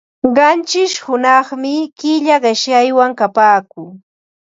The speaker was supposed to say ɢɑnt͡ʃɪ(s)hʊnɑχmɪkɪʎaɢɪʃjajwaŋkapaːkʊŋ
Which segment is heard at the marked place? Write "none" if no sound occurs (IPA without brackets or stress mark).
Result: ʃ